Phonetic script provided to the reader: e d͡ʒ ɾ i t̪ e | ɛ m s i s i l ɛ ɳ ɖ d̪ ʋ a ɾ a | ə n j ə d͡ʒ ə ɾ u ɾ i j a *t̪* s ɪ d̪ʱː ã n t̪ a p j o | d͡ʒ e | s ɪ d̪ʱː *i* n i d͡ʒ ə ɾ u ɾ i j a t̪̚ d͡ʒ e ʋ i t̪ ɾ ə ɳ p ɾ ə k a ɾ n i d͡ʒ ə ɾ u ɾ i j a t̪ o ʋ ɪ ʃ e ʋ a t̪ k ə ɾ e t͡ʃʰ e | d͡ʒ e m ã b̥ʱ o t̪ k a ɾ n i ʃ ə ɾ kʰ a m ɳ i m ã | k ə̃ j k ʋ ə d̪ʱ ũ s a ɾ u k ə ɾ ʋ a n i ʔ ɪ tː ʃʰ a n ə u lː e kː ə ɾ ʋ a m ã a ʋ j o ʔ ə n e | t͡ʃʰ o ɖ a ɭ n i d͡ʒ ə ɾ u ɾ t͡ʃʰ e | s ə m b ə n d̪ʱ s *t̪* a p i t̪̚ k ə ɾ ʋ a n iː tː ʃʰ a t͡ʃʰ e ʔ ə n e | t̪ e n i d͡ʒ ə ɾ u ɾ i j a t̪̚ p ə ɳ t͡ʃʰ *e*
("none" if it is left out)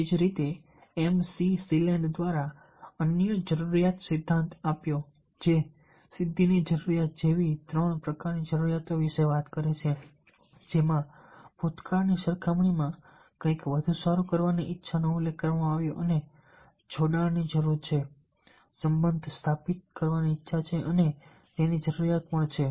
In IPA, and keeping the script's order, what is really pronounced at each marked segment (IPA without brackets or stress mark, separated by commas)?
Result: t̪, i, t̪ʰ, e